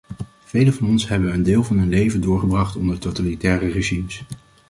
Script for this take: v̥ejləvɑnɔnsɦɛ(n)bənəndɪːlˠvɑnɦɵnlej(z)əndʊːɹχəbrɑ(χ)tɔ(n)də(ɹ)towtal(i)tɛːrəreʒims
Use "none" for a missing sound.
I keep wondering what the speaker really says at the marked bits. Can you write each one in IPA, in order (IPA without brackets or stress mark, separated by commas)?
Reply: none, v, χ, n, ɹ, i